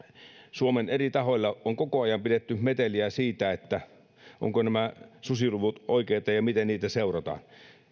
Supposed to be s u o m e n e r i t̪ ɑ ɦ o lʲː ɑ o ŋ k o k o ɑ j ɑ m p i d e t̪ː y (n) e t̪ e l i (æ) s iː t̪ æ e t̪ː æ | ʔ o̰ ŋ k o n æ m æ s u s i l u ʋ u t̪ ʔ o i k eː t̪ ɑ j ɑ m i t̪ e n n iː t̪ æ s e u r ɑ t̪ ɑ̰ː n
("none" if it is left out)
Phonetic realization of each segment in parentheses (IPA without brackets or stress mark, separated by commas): m, æ